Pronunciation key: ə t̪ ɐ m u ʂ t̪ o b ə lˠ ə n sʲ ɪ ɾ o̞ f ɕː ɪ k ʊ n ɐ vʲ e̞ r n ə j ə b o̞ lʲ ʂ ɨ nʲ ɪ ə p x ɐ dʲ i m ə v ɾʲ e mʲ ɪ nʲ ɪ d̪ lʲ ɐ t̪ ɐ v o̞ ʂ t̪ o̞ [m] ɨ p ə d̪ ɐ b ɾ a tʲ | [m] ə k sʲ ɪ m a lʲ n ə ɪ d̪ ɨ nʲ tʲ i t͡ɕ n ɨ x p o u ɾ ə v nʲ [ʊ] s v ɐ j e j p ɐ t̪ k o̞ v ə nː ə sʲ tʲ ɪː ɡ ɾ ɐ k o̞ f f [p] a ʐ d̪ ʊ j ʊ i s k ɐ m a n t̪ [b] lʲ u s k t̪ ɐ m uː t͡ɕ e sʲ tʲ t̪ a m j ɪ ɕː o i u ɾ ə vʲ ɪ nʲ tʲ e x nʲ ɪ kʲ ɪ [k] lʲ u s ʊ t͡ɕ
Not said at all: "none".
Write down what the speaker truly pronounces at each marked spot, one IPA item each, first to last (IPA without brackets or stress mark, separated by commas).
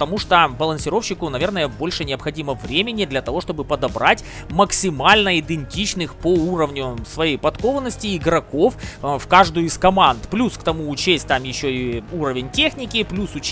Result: b, m, ʊ, k, p, p